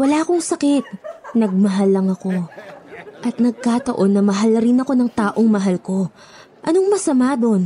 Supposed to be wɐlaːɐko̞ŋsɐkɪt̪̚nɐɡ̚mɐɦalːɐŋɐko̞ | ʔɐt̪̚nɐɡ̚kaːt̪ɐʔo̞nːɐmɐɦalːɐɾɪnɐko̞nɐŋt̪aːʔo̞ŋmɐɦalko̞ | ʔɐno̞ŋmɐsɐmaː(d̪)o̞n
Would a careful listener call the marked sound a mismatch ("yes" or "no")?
no